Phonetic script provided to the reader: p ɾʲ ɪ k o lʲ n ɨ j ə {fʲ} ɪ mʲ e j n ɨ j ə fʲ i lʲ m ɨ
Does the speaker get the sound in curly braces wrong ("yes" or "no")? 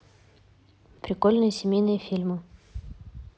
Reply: yes